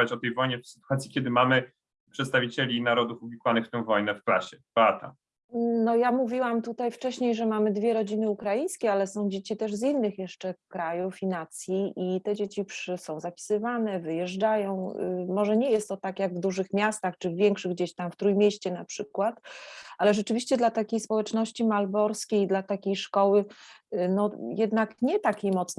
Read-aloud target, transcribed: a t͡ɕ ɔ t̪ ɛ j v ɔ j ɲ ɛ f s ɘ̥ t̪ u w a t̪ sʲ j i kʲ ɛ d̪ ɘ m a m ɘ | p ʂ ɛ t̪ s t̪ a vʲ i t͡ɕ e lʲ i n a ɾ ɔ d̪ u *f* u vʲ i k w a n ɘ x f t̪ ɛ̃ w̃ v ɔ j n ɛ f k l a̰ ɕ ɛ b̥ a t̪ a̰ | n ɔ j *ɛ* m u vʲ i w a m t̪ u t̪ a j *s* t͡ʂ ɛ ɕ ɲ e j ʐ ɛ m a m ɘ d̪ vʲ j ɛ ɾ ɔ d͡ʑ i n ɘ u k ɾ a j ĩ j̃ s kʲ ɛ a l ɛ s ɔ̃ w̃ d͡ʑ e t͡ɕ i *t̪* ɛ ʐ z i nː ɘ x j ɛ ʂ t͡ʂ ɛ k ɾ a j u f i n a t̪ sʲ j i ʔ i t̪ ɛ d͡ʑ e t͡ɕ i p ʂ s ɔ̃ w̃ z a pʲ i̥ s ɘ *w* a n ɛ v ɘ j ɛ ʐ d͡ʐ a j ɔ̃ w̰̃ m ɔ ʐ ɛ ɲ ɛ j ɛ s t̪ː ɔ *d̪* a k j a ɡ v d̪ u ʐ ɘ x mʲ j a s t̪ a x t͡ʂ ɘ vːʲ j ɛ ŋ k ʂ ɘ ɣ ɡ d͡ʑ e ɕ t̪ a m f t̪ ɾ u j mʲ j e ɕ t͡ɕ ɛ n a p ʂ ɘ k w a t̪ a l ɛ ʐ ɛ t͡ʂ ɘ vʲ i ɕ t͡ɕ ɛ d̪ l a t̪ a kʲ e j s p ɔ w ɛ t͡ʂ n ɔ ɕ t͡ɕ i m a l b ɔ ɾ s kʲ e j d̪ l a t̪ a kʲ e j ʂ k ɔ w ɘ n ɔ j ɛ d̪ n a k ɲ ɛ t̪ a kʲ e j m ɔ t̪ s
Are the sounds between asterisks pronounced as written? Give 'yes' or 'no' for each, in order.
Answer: yes, no, no, yes, no, no

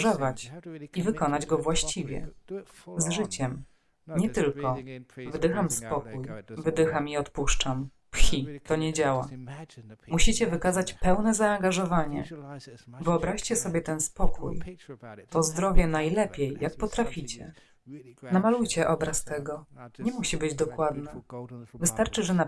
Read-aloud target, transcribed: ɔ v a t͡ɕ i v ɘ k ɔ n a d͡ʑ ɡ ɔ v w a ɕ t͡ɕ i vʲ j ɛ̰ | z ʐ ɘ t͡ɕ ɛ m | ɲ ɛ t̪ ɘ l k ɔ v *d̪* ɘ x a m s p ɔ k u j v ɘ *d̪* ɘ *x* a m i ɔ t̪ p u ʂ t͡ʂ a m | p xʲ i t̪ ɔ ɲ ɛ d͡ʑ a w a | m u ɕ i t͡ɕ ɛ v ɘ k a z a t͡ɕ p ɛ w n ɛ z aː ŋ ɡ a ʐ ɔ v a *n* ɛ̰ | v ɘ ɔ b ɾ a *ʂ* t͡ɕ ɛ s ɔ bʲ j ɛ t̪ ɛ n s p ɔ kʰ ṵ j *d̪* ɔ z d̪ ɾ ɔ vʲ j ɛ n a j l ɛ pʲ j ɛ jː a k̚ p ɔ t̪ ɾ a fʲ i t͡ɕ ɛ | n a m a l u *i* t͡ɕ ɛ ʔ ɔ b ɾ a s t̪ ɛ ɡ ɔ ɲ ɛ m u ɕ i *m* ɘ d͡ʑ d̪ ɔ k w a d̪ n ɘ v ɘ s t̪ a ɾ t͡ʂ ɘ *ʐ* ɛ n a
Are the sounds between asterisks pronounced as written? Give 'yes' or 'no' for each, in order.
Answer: yes, yes, yes, no, no, no, no, no, yes

